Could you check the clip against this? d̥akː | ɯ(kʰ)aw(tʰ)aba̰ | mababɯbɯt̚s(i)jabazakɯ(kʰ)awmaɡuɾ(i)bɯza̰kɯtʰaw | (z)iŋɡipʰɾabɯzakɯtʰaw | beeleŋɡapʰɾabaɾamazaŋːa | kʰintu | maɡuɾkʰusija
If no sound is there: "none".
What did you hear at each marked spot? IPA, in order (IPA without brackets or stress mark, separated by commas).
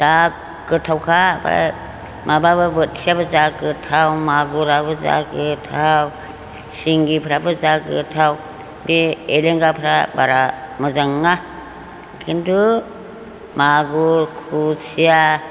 tʰ, kʰ, i, tʰ, a, s